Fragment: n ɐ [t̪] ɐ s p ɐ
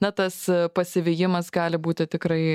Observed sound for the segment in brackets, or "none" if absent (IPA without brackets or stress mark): t̪